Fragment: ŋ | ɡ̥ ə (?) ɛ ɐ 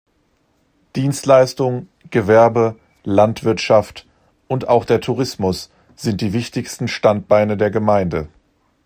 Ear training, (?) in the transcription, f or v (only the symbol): v